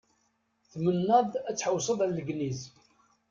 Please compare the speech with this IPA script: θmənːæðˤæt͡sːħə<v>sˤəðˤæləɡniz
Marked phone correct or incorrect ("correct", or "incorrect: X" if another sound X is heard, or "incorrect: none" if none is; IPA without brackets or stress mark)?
incorrect: w